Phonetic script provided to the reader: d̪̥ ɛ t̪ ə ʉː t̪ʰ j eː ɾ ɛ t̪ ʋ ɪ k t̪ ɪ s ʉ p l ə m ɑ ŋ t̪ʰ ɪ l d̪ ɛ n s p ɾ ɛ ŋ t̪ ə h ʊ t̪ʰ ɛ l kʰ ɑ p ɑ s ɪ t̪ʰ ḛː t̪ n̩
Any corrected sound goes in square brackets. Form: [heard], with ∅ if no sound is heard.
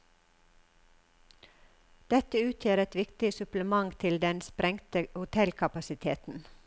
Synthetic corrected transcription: d̪̥ ɛ t̪ ə ʉː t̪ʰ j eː ɾ ɛ t̪ ʋ ɪ k t̪ ɪ s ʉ p l ə m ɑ ŋ t̪ʰ ɪ l d̪ ɛ n s p ɾ ɛ ŋ t̪ ə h ʊ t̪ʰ ɛ l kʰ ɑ p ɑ s ɪ t̪ʰ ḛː t̪ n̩